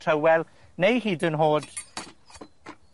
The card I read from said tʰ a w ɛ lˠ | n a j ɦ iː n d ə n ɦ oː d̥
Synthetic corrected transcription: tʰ ə w ɛ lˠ | n e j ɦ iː d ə n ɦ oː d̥